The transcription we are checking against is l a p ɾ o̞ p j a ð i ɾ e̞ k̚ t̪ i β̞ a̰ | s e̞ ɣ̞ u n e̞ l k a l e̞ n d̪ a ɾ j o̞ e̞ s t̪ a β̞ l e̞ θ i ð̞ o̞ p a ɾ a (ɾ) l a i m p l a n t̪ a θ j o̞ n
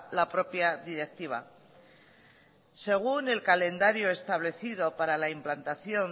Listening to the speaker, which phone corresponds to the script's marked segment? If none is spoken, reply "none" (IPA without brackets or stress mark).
none